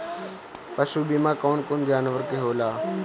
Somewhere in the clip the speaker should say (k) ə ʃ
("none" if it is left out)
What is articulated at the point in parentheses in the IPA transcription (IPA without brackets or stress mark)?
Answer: p